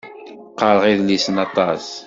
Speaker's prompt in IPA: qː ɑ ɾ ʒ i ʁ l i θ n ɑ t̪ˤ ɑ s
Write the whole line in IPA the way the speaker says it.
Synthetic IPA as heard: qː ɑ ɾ ʁ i ð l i s n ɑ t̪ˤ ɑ s